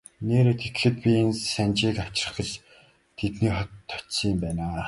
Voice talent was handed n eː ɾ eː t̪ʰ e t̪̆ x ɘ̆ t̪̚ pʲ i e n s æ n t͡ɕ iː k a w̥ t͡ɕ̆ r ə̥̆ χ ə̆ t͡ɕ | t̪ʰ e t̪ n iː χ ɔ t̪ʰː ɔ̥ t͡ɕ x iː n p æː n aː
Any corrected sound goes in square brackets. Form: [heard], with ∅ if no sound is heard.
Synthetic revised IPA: n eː ɾ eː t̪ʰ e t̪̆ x ɘ̆ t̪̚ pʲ i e n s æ n t͡ɕ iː k a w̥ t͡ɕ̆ r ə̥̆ χ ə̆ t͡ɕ | t̪ʰ e t̪ n iː χ ɔ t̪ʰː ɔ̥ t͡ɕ [s] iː [m] p æː n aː